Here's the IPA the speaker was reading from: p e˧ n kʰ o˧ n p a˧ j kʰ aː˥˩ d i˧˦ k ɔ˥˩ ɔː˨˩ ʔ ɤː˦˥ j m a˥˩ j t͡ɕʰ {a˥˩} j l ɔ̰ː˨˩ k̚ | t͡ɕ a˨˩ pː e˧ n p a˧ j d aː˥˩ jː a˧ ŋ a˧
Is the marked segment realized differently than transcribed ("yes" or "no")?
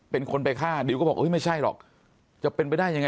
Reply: no